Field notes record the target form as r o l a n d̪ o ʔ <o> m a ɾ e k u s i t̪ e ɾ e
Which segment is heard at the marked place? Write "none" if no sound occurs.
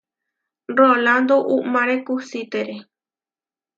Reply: u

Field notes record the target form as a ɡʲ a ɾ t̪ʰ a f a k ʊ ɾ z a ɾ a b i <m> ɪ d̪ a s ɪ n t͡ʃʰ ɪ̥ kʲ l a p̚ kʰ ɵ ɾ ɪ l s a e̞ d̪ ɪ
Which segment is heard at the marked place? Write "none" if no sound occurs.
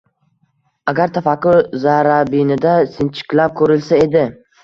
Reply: n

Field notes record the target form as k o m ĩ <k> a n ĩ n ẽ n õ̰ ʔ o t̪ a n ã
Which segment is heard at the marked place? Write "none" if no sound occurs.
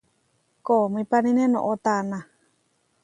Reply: p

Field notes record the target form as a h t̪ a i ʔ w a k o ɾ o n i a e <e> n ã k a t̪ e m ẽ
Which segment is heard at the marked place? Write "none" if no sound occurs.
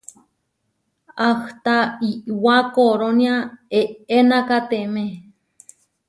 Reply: e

